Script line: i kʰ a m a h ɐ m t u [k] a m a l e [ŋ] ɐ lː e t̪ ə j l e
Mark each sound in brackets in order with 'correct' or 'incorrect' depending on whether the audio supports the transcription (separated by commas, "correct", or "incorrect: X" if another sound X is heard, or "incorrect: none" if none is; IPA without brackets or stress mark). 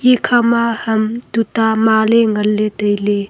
incorrect: t, correct